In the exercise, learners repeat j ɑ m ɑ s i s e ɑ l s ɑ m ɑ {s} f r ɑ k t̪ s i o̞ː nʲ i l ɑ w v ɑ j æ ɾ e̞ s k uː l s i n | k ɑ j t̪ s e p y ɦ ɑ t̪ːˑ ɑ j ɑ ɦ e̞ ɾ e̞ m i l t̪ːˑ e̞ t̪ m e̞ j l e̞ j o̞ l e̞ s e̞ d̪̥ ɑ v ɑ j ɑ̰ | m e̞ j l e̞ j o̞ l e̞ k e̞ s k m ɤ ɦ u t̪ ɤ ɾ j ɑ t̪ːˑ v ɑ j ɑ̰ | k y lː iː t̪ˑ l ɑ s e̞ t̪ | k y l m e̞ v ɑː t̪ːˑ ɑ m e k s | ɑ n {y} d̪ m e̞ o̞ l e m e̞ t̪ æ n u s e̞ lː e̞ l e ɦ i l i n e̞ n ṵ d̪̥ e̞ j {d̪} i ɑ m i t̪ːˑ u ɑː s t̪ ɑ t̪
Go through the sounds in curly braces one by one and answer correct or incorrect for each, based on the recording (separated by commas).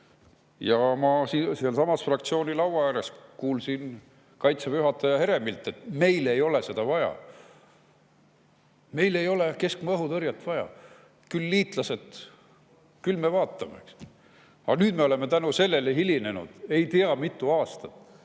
correct, incorrect, incorrect